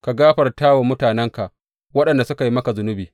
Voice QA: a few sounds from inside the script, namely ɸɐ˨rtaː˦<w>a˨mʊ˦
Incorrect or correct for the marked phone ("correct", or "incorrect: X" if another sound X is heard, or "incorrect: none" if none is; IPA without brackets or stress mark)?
correct